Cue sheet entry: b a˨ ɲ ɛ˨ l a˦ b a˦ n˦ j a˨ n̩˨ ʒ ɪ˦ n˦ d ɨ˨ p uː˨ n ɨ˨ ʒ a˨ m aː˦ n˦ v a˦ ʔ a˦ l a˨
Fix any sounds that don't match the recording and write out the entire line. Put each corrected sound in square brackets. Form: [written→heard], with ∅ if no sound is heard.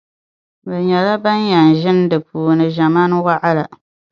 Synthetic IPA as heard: b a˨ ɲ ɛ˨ l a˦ b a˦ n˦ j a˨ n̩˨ ʒ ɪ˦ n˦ d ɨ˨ p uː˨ n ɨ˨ ʒ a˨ m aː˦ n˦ [v→w] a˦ ʔ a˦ l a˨